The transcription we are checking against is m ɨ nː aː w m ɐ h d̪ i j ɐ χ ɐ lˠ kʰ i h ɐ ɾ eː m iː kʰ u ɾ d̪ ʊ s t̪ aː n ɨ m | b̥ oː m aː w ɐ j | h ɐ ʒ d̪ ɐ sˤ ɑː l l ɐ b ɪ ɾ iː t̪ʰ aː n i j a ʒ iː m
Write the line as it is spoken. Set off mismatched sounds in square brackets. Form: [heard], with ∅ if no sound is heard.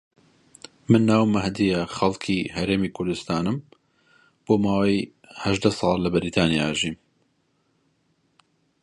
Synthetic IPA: m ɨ nː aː w m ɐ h d̪ i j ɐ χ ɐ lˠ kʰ i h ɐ ɾ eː m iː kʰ [ʊ] ɾ d̪ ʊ s t̪ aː n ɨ m | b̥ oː m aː w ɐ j | h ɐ ʒ d̪ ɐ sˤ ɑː l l ɐ b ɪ ɾ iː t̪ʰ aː n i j a ʒ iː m